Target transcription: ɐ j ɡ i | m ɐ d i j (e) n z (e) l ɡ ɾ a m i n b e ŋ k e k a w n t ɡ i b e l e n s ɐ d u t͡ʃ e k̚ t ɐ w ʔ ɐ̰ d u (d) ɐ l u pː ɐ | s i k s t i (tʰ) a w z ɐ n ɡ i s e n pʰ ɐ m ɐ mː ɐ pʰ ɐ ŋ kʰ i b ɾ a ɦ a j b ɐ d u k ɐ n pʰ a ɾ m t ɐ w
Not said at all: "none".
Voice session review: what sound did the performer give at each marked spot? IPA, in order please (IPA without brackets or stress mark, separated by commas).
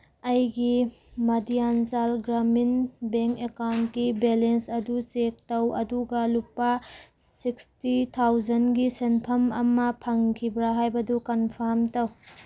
a, a, ɡ, tʰ